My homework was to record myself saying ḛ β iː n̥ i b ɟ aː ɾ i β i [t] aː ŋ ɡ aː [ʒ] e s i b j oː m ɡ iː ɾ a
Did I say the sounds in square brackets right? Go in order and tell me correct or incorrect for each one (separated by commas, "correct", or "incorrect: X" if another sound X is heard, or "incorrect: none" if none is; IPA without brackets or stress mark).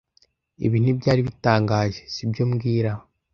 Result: correct, correct